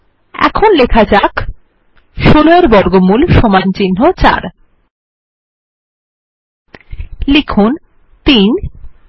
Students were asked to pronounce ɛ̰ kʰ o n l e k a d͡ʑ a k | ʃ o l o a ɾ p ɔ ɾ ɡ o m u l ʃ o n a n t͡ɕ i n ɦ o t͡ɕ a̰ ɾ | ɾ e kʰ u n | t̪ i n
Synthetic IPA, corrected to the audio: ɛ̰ kʰ o n l e kʰ a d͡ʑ a k | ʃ o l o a ɾ b ɔ ɾ ɡ o m u l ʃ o m a n t͡ɕ i n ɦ o t͡ɕ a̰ ɾ | l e kʰ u n | t̪ i n